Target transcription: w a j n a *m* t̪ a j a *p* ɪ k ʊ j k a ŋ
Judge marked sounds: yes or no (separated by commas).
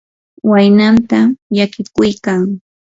no, no